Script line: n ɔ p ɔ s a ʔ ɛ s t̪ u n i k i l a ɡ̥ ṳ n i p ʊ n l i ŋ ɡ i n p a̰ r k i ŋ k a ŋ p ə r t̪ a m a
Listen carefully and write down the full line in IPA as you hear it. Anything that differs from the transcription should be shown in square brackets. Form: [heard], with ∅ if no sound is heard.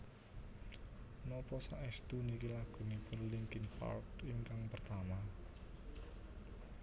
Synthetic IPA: n ɔ p ɔ s a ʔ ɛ s t̪ u n i k i l a ɡ̥ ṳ n i p ʊ n l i ŋ [k] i n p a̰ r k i ŋ k a ŋ p ə r t̪ a m a